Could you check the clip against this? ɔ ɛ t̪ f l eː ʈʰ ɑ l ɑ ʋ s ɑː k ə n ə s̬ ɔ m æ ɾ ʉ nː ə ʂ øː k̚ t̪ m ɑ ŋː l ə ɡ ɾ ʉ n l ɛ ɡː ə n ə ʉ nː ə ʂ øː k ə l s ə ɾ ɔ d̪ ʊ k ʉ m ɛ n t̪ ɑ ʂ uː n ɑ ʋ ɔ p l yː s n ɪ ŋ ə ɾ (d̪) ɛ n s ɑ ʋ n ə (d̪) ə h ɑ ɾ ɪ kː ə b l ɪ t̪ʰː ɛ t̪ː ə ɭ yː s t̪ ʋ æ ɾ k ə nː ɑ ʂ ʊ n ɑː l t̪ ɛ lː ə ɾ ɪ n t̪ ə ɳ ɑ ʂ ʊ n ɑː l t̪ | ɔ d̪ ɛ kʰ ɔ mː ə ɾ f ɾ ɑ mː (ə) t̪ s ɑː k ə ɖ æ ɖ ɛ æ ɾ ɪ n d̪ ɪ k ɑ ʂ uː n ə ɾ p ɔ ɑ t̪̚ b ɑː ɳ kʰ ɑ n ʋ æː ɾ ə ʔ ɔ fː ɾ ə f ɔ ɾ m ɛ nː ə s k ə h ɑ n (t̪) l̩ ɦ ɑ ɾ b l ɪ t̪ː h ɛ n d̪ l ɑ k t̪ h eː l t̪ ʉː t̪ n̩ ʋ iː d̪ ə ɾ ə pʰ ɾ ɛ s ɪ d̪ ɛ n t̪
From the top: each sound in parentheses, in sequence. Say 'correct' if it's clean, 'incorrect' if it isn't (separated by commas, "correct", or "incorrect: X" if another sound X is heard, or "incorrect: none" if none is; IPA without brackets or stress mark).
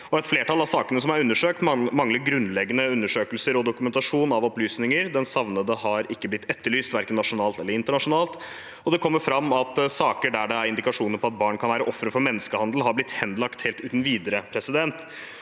correct, correct, incorrect: ɑ, incorrect: d̪